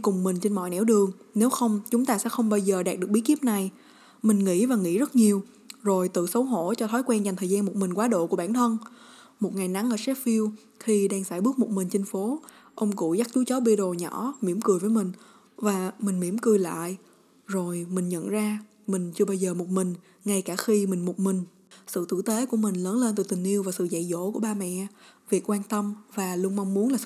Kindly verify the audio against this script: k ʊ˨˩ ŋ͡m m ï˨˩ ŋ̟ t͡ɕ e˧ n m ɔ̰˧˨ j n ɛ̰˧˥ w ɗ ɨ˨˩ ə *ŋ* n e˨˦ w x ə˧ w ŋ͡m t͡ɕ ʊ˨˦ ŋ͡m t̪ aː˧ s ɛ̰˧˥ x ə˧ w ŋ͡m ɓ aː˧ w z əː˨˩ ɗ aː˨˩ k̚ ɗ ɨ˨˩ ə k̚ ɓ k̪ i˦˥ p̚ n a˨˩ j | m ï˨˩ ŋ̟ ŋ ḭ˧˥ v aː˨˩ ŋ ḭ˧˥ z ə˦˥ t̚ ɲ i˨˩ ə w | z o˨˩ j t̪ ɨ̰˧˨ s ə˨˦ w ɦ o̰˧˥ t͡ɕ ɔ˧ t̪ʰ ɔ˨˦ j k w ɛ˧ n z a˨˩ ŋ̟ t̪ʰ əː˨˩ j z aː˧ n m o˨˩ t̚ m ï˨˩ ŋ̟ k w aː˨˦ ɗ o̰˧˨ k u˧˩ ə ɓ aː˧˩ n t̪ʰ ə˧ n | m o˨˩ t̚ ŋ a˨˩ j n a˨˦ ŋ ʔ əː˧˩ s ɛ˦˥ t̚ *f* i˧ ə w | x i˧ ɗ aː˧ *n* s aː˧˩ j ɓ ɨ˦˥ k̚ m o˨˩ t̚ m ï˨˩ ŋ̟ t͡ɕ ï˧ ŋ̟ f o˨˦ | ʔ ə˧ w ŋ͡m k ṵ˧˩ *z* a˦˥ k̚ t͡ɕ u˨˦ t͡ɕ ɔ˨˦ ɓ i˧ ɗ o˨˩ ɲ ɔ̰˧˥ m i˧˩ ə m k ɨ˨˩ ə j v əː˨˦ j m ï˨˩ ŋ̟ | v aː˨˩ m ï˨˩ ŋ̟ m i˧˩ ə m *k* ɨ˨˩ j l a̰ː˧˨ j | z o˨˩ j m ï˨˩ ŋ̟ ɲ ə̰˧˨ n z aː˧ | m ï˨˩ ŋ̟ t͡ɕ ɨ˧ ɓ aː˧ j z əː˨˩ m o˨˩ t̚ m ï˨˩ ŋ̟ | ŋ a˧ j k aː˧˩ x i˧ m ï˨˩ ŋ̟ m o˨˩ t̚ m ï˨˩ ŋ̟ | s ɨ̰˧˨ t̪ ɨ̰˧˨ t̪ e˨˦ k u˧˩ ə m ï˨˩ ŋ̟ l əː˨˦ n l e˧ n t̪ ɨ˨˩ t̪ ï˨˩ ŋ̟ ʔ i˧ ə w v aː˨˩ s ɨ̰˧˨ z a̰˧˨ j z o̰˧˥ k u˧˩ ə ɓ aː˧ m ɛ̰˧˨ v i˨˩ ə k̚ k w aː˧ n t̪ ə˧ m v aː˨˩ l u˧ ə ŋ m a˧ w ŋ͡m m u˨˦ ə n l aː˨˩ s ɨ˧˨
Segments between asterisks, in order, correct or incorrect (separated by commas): correct, correct, incorrect, correct, correct